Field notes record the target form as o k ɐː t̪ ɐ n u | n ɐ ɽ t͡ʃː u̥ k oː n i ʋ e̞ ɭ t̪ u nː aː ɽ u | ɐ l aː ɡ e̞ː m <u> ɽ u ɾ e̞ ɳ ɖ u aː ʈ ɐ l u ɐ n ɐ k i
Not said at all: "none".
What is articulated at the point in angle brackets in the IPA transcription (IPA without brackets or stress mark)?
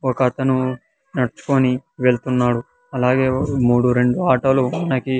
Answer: uː